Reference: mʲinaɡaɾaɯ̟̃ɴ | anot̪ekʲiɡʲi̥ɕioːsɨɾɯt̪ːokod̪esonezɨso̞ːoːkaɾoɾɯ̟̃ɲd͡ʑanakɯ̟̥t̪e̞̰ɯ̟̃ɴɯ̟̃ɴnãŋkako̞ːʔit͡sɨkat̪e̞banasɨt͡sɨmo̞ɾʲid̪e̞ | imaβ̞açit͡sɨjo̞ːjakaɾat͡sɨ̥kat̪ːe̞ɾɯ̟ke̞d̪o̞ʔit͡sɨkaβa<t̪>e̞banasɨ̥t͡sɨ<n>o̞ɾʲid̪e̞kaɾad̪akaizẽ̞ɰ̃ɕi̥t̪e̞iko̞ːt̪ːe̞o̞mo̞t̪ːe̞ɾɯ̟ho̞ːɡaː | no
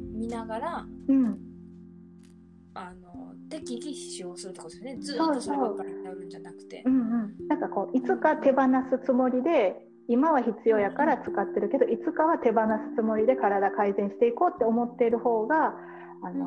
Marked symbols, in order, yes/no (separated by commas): yes, no